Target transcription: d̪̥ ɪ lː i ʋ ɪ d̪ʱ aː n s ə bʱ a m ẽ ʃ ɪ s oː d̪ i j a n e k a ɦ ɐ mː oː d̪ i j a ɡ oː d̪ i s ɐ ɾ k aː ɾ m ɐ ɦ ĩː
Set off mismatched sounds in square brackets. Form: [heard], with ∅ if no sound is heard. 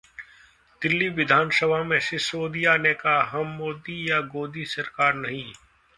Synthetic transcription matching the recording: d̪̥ ɪ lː i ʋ ɪ d̪ʱ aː n s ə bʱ a m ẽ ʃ ɪ s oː d̪ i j a n e k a ɦ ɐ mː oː d̪ i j a ɡ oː d̪ i s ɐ ɾ k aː ɾ [n] ɐ ɦ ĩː

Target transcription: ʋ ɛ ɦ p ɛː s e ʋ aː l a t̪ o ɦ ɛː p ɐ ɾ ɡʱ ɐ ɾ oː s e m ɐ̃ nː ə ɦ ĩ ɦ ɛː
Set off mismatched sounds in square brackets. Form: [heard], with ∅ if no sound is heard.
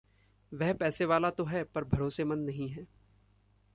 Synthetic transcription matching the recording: ʋ ɛ ɦ p ɛː s e ʋ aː l a t̪ o ɦ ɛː p ɐ ɾ [bʱ] ɐ ɾ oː s e m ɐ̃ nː [ɐ] ɦ ĩ ɦ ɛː

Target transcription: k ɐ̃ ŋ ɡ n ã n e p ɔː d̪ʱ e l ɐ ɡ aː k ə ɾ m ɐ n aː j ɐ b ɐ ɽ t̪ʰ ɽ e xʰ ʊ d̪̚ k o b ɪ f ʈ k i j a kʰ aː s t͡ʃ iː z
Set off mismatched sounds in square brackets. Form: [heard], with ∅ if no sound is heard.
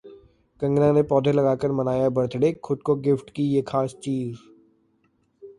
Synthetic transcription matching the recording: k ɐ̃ ŋ ɡ n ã n e p ɔː d̪ʱ e l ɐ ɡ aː k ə ɾ m ɐ n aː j [a] b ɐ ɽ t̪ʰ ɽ e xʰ ʊ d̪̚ k o [ɡ] ɪ f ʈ k i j [e] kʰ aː s t͡ʃ iː z

